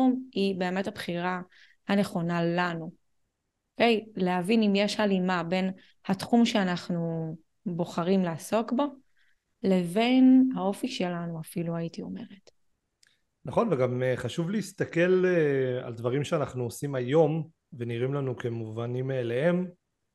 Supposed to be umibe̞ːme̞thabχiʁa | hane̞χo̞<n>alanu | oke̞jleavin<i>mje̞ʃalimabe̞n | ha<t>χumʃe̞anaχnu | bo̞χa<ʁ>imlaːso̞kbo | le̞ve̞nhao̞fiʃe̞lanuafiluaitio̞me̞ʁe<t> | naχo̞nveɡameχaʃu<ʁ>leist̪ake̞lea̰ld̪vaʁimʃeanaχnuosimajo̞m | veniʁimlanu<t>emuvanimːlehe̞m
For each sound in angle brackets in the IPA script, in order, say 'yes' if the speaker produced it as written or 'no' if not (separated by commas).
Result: yes, yes, yes, yes, yes, no, no